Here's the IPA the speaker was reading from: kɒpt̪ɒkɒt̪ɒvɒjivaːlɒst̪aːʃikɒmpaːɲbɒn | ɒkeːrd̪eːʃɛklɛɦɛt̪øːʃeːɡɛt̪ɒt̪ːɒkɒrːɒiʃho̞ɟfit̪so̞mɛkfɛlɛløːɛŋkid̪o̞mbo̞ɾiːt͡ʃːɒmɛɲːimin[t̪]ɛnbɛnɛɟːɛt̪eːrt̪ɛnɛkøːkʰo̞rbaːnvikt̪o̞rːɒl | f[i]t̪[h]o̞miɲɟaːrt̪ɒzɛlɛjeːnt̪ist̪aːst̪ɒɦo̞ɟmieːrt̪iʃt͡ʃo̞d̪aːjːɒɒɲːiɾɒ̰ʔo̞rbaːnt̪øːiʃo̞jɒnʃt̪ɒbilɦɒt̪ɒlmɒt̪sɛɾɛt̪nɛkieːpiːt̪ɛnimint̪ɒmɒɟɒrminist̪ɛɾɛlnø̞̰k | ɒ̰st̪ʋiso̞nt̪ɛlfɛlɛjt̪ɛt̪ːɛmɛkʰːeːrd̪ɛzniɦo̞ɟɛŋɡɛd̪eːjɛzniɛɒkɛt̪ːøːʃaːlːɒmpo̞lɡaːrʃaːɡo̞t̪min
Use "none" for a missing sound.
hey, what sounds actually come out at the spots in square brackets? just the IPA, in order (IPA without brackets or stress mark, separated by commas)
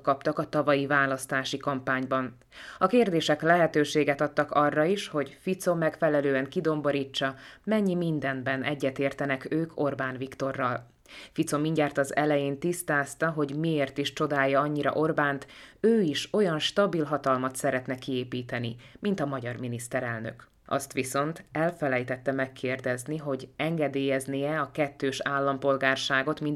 d̪, i, s